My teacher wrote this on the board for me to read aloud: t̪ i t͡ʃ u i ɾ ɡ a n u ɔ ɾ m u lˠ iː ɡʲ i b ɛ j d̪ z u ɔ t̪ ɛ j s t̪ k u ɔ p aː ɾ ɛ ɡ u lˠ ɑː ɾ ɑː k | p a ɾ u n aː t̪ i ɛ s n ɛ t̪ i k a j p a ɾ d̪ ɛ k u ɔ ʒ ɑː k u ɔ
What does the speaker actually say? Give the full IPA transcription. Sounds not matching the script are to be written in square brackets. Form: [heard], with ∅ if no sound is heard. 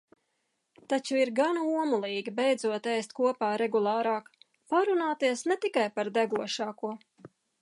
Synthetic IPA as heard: t̪ [a] t͡ʃ u i ɾ ɡ a n u ɔ [∅] m u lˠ iː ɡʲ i b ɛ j d̪ z u ɔ t̪ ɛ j s t̪ k u ɔ p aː ɾ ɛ ɡ u lˠ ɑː ɾ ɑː k | p a ɾ u n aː t̪ i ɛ s n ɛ t̪ i k a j p a ɾ d̪ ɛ [ɡ] u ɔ [ʃ] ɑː k u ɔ

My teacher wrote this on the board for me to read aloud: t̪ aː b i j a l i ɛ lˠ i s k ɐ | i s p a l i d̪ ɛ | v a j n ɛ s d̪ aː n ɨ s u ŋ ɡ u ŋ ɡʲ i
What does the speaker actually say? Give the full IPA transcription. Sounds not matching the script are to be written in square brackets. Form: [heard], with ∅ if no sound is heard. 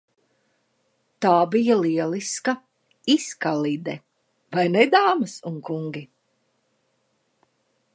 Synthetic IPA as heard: t̪ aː b i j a l i ɛ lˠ i s k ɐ | i s [k] a l i d̪ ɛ | v a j n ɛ [∅] d̪ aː [m] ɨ s u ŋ [k] u ŋ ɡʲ i

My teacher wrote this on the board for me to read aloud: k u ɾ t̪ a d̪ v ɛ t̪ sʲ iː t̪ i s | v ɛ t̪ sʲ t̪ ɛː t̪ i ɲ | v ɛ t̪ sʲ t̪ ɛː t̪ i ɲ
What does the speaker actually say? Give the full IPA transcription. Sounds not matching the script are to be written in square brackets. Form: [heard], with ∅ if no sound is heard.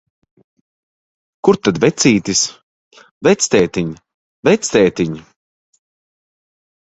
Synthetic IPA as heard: k u ɾ t̪ a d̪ v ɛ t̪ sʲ iː t̪ i s | v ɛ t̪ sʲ t̪ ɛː t̪ i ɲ | v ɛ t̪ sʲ t̪ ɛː t̪ i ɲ

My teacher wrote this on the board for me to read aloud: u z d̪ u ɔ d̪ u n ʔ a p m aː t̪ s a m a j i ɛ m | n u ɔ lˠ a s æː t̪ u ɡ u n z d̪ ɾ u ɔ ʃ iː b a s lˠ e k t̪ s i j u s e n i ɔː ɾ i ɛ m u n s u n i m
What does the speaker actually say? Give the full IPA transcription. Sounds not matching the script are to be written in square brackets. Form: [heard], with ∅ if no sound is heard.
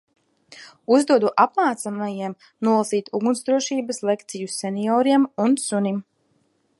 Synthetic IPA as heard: u z d̪ u ɔ d̪ u [∅] ʔ a p m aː t̪ s a m a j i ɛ m | n u ɔ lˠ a s [iː] t̪ u ɡ u n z d̪ ɾ u ɔ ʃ iː b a s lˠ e k t̪ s i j u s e n i ɔː ɾ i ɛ m u n s u n i m

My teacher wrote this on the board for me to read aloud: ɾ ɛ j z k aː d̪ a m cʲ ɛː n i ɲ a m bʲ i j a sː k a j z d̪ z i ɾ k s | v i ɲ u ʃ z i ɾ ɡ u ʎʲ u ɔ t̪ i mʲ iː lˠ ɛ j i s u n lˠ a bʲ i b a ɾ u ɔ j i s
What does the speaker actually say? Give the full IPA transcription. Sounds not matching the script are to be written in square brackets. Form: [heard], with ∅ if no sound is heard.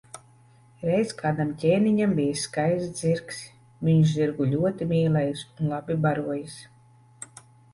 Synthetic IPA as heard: ɾ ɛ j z k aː d̪ a m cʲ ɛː n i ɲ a m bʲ i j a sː k a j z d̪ z i ɾ k s | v i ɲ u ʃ z i ɾ ɡ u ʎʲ u ɔ t̪ i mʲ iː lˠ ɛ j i s u n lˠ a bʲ i b a ɾ u ɔ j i s

